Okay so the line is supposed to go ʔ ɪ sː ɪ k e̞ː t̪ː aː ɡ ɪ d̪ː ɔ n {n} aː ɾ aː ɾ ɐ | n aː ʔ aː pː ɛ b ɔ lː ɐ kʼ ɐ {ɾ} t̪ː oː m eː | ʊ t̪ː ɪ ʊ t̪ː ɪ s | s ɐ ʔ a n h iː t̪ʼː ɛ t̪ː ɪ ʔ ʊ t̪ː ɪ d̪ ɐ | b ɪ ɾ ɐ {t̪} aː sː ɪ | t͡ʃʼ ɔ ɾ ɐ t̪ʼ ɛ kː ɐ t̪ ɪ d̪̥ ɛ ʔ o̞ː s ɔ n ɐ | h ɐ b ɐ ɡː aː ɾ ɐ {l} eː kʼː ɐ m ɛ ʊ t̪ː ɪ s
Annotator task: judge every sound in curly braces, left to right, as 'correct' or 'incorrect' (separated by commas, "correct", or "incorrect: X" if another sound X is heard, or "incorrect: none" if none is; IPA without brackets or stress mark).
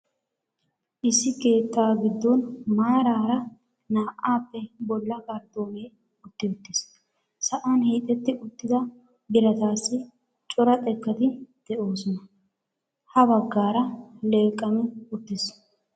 incorrect: m, correct, correct, correct